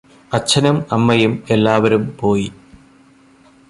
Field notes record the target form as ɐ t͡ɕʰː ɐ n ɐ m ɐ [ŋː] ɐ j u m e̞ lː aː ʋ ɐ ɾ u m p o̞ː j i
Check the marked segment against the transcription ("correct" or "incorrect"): incorrect